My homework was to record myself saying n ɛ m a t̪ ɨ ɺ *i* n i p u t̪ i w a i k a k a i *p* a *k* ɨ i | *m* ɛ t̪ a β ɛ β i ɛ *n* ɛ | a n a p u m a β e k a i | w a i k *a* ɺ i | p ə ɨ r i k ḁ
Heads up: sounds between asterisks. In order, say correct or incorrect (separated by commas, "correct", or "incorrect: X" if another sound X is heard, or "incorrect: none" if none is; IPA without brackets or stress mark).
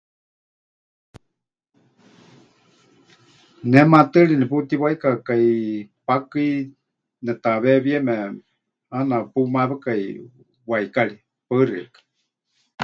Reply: correct, correct, correct, incorrect: n, incorrect: m, correct